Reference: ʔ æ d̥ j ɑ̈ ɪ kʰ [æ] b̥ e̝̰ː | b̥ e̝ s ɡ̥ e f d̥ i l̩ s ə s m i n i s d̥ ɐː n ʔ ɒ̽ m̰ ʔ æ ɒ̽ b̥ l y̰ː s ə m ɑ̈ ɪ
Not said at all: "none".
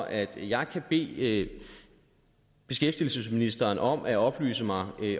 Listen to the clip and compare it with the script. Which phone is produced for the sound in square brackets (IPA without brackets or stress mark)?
æ